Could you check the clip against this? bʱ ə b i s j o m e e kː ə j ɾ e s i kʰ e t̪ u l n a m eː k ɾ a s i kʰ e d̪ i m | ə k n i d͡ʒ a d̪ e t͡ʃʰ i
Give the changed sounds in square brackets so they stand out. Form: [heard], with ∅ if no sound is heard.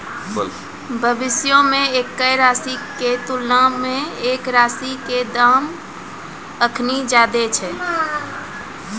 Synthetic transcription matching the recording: bʱ ə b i s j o m e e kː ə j ɾ [a] s i [k] e t̪ u l n a m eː k ɾ a s i [k] e d̪ [a] m | ə [kʰ] n i d͡ʒ a d̪ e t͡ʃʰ [ɛ]